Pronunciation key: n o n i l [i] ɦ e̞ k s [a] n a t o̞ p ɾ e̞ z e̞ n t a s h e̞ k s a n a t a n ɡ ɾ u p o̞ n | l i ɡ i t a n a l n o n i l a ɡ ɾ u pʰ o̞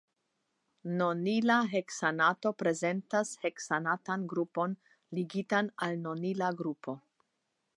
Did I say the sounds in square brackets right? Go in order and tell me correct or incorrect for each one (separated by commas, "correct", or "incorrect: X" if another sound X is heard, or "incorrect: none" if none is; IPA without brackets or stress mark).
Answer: incorrect: a, correct